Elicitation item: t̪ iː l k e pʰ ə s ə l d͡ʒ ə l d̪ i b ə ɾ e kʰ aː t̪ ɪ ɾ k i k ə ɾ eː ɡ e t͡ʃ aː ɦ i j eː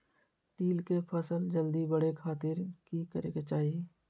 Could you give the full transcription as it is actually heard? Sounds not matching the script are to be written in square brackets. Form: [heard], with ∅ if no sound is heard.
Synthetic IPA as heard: t̪ iː l k e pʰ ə s ə l d͡ʒ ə l d̪ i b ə [ɽ] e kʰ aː t̪ ɪ ɾ k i k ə ɾ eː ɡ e t͡ʃ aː ɦ i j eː